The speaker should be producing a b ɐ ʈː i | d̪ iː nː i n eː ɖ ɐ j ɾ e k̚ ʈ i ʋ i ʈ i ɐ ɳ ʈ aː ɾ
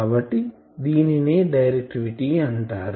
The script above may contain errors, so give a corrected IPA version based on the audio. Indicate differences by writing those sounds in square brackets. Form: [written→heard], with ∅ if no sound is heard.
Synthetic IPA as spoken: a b ɐ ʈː i | d̪ iː [nː→n] i n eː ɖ ɐ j ɾ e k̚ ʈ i ʋ i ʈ i ɐ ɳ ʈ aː ɾ